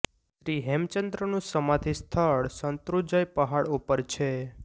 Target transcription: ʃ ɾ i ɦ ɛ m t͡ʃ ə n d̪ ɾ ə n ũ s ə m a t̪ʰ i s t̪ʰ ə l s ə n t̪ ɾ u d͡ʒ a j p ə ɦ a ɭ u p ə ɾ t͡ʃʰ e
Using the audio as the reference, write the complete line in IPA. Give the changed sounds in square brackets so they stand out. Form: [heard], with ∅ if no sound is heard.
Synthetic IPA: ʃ ɾ i ɦ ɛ m t͡ʃ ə n d̪ ɾ ə n ũ s ə m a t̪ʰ i s t̪ʰ ə [ɭ] s ə n t̪ ɾ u d͡ʒ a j p ə ɦ a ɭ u p ə ɾ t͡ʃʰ e